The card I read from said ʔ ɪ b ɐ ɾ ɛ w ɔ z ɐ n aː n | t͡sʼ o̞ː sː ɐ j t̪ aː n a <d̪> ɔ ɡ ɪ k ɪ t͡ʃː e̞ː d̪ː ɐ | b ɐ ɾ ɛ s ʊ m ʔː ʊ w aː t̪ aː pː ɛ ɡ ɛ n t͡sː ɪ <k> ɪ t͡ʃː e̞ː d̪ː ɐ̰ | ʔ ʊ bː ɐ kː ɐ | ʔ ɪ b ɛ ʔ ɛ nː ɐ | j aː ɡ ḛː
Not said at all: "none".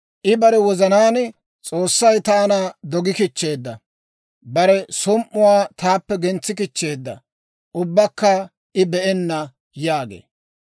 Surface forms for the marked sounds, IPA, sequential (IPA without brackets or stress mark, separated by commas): d̪, k